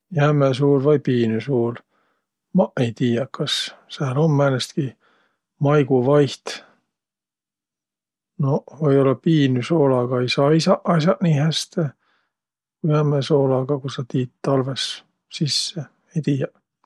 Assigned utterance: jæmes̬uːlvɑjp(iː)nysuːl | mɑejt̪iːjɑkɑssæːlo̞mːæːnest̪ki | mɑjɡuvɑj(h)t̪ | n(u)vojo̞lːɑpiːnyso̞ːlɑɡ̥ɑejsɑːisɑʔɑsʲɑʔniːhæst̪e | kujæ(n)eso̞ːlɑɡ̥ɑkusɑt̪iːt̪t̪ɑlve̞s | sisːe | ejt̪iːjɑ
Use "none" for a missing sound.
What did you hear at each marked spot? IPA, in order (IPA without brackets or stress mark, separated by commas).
iː, h, o, m